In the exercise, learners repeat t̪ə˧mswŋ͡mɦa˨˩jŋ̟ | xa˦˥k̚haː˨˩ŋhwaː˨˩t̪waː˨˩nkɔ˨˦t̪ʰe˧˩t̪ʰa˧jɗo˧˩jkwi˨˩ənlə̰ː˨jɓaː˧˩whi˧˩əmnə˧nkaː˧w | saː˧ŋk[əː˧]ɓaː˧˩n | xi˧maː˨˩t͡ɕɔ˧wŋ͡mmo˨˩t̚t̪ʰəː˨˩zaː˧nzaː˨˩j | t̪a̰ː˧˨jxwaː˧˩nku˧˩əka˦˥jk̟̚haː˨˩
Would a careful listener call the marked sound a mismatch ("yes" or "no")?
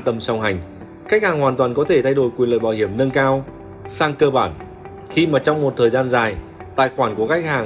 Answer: no